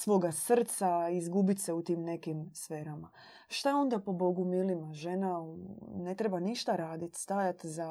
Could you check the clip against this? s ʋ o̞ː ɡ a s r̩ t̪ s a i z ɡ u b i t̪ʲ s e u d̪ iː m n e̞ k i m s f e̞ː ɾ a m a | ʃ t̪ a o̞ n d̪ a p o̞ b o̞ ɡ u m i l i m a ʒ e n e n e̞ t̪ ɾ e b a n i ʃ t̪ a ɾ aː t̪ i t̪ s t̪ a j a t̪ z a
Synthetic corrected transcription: s ʋ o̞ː ɡ a s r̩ t̪ s a i z ɡ u b i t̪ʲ s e u t̪ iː m n e̞ k i m s f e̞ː ɾ a m a | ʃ t̪ a o̞ n d̪ a p o̞ b o̞ ɡ u m i l i m a ʒ e n a n e̞ t̪ ɾ e b a n i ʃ t̪ a ɾ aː d̪ i t̪ s t̪ a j a t̪ z a